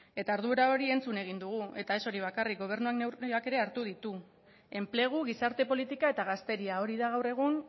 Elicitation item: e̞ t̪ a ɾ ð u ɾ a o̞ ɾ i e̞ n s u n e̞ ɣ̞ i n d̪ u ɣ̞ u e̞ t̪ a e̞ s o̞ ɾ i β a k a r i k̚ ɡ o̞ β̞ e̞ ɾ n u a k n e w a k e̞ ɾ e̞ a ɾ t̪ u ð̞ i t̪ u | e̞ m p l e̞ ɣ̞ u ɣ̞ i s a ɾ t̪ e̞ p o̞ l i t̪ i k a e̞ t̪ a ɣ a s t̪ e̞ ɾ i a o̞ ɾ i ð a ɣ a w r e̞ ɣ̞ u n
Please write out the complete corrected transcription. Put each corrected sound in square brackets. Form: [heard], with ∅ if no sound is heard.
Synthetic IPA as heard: e̞ t̪ a ɾ ð u ɾ a o̞ ɾ i e̞ n [t͡s] u n e̞ ɣ̞ i n d̪ u ɣ̞ u e̞ t̪ a e̞ s o̞ ɾ i β a k a r i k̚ ɡ o̞ β̞ e̞ ɾ n u a k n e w a k e̞ ɾ e̞ a ɾ t̪ u ð̞ i t̪ u | e̞ m p l e̞ ɣ̞ u ɣ̞ i s a ɾ t̪ e̞ p o̞ l i t̪ i k a e̞ t̪ a ɣ a s t̪ e̞ ɾ i a o̞ ɾ i ð a ɣ a w r e̞ ɣ̞ u n